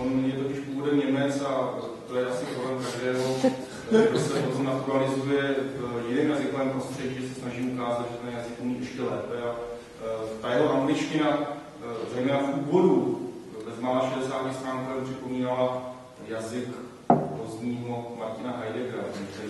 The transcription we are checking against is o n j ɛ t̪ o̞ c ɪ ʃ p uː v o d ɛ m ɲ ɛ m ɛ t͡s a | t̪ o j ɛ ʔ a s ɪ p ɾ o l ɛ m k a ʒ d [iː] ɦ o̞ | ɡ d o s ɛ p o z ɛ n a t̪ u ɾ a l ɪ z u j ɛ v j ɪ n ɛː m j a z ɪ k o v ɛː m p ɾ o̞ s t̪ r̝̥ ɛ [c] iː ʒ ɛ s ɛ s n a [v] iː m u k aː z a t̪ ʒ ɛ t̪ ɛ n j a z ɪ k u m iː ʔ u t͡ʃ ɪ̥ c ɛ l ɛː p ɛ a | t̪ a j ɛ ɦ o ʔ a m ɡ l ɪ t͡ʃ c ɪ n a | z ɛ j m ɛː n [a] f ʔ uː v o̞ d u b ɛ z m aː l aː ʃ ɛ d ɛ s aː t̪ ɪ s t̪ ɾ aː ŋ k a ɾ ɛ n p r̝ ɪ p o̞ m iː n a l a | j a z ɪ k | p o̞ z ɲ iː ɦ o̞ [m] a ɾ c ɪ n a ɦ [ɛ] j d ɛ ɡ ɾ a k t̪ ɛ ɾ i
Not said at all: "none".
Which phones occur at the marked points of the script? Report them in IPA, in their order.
ɛː, ɟ, ʒ, a, m, a

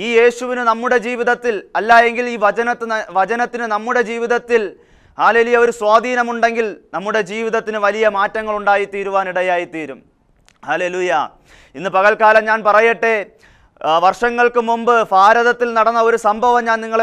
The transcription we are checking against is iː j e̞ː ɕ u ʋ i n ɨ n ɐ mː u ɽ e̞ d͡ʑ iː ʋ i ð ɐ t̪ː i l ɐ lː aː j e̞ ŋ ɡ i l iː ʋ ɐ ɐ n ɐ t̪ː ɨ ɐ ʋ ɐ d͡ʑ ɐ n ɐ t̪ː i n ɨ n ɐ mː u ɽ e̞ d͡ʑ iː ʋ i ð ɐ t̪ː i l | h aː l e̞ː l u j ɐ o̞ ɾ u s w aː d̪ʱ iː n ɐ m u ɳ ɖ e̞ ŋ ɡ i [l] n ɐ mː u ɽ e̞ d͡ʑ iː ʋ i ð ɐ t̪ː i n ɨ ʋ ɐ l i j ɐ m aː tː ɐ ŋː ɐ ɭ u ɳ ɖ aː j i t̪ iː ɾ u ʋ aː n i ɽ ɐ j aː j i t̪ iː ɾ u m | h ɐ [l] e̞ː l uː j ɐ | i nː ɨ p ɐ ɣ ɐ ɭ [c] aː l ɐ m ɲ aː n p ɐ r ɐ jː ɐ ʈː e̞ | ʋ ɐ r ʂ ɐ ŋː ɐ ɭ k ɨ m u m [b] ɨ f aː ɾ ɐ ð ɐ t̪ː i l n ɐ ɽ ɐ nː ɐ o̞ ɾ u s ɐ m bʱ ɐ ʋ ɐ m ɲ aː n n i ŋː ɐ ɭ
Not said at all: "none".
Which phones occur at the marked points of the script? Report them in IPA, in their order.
l, l, k, b

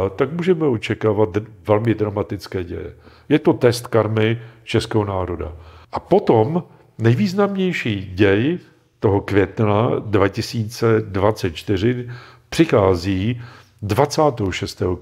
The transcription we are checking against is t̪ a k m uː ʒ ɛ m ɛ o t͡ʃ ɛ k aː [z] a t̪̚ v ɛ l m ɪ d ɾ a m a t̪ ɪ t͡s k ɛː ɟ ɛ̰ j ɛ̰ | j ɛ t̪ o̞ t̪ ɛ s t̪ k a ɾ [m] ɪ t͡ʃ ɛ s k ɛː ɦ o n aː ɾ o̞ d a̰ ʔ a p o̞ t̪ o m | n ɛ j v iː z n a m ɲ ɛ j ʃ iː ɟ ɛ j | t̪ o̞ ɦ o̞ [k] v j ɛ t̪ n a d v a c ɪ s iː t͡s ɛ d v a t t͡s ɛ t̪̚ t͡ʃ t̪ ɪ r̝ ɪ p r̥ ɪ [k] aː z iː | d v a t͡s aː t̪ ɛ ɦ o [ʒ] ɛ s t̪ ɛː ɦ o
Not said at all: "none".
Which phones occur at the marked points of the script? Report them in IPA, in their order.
v, m, k, x, ʃ

